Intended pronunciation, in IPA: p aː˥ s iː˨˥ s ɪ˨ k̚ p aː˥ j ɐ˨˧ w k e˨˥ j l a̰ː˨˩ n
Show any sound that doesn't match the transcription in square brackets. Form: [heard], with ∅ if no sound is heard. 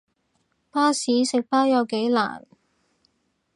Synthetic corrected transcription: p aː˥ s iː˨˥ s ɪ˨ k̚ p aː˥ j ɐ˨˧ w k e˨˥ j l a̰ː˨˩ n